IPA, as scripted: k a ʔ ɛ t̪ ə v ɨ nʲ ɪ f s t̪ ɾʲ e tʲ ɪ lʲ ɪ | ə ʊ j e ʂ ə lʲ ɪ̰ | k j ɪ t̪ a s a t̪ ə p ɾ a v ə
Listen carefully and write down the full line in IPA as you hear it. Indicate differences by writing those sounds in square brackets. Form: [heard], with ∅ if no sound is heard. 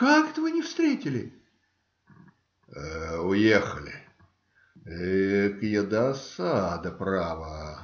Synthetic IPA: k a [k] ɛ t̪ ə v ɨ nʲ ɪ f s t̪ ɾʲ e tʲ ɪ lʲ ɪ | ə ʊ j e [x] ə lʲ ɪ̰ | k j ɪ [d̪] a s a [d̪] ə p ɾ a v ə